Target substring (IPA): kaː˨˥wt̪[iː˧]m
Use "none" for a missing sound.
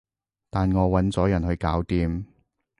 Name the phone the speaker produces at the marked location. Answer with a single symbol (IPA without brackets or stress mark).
iː˧